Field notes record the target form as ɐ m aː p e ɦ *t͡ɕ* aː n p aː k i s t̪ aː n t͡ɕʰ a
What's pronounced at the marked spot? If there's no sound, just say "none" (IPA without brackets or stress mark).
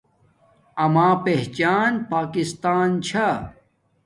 t͡ɕ